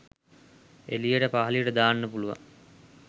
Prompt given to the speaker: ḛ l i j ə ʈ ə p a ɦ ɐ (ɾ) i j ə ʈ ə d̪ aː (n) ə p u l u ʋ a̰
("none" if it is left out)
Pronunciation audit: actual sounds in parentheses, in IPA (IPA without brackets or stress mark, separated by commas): l, nː